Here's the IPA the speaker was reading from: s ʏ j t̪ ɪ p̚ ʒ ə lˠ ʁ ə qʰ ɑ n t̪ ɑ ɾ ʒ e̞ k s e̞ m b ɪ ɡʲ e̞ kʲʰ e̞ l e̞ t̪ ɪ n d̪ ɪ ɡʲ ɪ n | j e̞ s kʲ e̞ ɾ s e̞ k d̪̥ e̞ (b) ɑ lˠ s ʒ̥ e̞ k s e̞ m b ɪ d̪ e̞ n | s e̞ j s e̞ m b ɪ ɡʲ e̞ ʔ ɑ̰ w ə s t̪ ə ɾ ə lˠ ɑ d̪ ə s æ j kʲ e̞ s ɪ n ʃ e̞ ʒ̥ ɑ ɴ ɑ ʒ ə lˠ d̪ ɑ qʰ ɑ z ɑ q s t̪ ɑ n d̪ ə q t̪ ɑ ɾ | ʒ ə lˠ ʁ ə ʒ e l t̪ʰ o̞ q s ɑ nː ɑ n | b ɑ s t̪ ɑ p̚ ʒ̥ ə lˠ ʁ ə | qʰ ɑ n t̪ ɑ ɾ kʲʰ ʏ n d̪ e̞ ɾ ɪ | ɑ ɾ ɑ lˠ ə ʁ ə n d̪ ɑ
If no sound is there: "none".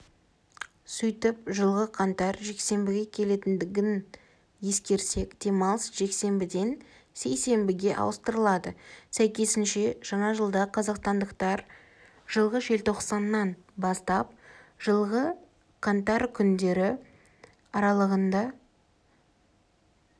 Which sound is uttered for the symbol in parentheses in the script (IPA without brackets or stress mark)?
m